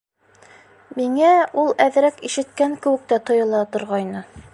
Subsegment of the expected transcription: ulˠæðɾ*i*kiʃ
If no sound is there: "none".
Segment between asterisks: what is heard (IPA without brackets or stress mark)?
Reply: æ